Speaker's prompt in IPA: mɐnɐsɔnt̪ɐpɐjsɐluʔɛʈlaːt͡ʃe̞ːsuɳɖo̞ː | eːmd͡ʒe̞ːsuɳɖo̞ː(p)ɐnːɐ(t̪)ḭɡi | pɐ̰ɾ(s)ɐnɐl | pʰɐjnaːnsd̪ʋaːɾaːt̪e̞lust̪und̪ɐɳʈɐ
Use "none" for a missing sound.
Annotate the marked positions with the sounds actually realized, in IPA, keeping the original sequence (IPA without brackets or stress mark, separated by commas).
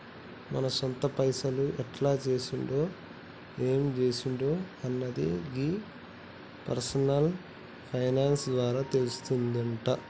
none, d̪, s